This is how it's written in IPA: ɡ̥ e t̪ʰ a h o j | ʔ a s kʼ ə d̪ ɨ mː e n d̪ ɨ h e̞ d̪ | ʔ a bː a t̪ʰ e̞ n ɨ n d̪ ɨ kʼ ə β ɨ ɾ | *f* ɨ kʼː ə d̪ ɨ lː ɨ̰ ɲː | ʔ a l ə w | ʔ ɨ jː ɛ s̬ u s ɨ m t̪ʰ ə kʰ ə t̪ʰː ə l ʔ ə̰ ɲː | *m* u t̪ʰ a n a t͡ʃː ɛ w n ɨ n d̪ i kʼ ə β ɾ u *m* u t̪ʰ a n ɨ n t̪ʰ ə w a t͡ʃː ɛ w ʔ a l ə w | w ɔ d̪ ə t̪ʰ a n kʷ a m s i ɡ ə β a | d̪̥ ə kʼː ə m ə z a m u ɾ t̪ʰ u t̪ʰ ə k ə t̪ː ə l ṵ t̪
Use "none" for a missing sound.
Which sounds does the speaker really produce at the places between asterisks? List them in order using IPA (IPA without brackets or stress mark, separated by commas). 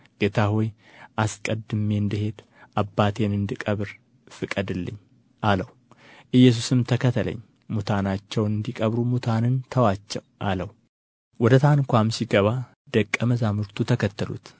f, m, m